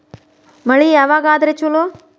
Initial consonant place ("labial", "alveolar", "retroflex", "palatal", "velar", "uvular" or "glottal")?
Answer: labial